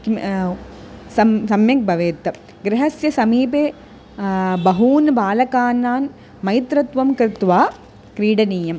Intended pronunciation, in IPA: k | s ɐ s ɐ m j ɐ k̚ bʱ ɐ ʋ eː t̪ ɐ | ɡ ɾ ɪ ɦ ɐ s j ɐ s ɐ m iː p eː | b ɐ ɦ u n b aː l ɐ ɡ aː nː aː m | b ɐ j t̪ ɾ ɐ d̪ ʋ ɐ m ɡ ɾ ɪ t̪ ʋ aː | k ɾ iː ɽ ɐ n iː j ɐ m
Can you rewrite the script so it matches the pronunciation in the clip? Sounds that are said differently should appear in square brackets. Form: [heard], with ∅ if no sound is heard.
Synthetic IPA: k | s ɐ s ɐ m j ɐ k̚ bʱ ɐ ʋ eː t̪ ɐ | ɡ ɾ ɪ ɦ ɐ s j ɐ s ɐ m iː p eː | b ɐ ɦ [uː] n b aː l ɐ [k] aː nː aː [n] | [m] ɐ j t̪ ɾ ɐ [t̪] ʋ ɐ m [k] ɾ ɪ t̪ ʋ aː | k ɾ iː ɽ ɐ n iː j ɐ m